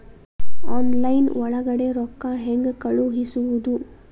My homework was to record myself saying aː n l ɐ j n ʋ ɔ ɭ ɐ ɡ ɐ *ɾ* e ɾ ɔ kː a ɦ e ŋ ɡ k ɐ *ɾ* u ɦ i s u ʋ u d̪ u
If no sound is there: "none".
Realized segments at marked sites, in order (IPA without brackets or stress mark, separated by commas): ɽ, ɭ